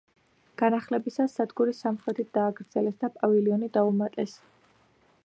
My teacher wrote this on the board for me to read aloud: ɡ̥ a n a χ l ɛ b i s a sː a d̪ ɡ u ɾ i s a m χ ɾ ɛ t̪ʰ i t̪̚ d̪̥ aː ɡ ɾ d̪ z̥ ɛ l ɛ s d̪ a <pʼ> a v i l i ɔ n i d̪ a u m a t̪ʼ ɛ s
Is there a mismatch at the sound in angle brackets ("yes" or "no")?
no